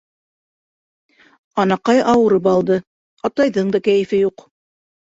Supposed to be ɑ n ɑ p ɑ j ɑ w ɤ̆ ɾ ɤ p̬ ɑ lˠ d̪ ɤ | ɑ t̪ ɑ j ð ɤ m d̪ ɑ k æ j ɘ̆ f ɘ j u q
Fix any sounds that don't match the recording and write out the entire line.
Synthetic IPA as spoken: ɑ n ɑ q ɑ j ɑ w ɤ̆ ɾ ɤ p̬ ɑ lˠ d̪ ɤ | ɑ t̪ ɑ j ð ɤ ɴ d̪ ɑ k æ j ɘ̆ f ɘ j u q

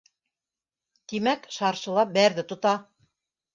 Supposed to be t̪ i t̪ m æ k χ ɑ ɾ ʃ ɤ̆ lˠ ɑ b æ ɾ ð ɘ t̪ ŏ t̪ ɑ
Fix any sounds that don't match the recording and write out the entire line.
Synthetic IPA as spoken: t̪ i m æ k ʃ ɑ ɾ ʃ ɤ̆ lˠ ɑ b æ ɾ ð ɘ t̪ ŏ t̪ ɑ

